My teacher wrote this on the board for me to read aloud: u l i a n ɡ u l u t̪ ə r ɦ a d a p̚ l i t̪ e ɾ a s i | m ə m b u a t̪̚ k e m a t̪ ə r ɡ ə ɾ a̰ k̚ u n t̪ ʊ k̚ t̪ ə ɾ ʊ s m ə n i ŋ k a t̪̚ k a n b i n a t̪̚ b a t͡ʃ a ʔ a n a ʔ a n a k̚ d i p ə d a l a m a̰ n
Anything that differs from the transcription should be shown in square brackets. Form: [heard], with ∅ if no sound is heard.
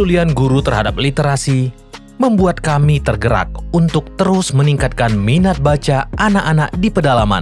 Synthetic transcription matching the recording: u l i a n ɡ u [ɾ] u t̪ ə r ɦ a d a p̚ l i t̪ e ɾ a s i | m ə m b u a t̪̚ k [a] m [i] t̪ ə r ɡ ə ɾ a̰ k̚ u n t̪ ʊ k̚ t̪ ə ɾ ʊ s m ə n i ŋ k a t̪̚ k a n [m] i n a t̪̚ b a t͡ʃ a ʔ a n a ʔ a n a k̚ d i p ə d a l a m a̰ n